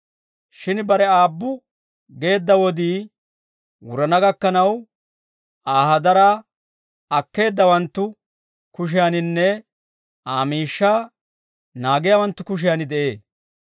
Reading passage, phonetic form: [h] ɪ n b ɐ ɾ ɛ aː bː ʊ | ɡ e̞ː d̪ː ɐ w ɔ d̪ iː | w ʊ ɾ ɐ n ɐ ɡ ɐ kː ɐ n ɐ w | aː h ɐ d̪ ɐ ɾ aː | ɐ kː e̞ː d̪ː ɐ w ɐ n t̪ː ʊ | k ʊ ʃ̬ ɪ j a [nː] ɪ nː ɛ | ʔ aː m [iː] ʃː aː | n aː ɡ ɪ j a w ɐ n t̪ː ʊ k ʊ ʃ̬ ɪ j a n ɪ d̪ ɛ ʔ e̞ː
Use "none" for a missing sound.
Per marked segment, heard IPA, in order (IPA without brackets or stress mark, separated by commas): ʃ, n, iː